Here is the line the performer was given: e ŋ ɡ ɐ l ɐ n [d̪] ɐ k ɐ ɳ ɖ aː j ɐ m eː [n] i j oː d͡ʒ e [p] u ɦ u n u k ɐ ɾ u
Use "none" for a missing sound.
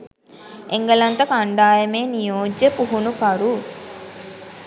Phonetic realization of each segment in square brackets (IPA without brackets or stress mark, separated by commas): t̪, n, p